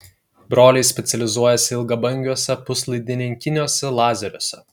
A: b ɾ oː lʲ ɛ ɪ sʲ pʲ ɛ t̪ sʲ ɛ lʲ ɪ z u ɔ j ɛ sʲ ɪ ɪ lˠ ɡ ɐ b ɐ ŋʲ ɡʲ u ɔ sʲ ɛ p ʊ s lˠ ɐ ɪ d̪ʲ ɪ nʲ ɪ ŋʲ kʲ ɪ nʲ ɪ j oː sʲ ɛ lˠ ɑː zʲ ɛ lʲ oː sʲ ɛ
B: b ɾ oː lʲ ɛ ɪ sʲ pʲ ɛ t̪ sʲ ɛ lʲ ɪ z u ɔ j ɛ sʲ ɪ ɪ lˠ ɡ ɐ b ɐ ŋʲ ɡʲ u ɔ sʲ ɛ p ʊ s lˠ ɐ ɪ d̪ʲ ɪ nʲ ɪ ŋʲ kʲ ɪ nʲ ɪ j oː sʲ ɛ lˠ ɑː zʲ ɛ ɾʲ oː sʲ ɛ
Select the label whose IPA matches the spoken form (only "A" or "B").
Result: B